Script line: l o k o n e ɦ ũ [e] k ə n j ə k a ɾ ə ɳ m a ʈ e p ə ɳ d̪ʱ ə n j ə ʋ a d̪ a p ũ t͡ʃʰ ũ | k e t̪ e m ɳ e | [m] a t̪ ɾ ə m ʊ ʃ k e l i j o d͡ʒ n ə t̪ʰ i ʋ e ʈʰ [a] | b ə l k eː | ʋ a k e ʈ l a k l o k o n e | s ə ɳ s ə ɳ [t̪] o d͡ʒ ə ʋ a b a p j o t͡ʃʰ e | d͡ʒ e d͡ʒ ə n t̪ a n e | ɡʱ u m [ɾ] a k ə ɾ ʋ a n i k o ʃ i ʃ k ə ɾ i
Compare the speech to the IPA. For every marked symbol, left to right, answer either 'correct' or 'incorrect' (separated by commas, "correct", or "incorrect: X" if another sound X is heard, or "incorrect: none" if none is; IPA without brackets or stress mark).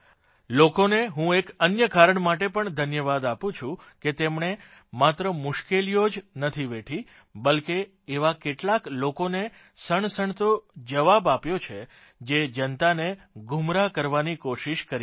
correct, correct, incorrect: i, correct, correct